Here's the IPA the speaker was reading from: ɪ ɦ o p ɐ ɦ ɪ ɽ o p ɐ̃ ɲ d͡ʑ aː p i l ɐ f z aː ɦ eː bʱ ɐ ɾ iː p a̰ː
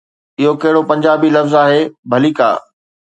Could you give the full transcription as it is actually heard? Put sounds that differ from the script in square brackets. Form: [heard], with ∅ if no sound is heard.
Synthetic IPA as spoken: ɪ ɦ o [k] ɐ ɦ ɪ ɽ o p ɐ̃ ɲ d͡ʑ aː [b] i l ɐ f z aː ɦ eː bʱ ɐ [l] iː [k] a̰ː